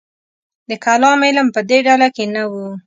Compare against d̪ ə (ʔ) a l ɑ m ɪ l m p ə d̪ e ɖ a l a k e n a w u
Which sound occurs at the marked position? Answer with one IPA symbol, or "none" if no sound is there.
k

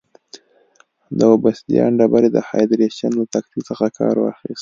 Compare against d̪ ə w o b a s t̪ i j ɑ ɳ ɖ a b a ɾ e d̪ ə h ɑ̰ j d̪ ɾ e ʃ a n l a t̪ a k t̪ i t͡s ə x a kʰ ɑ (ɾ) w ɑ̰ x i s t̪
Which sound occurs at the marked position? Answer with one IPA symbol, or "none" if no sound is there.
ɾ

